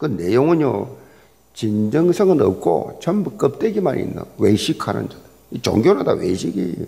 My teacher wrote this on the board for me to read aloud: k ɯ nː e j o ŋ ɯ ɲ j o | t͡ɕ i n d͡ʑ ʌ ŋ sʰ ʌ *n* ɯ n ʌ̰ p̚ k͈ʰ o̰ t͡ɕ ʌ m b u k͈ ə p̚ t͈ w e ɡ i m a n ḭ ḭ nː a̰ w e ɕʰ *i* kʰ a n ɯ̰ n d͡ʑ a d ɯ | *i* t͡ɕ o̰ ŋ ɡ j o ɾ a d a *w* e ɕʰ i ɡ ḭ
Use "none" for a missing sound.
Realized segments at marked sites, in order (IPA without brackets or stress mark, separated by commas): ŋ, i, i, w